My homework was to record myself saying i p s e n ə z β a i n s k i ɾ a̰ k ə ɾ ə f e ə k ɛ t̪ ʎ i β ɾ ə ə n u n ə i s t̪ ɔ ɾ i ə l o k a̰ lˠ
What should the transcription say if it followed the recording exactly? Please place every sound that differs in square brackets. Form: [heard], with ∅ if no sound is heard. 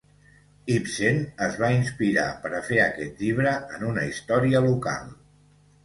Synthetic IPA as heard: i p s e n ə z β a i n s [p] i ɾ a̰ [p] ə ɾ ə f e ə k ɛ t̪ ʎ i β ɾ ə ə n u n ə i s t̪ ɔ ɾ i ə l [u] k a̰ lˠ